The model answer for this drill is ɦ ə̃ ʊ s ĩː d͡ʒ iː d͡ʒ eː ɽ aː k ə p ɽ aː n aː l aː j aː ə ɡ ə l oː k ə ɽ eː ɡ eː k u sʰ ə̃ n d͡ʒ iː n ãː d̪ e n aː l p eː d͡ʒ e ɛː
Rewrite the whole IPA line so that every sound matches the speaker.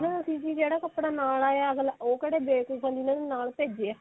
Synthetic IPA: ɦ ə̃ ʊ s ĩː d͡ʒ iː d͡ʒ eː ɽ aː k ə p ɽ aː n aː l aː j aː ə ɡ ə l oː k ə ɽ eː b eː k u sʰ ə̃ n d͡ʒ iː n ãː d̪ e n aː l p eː d͡ʒ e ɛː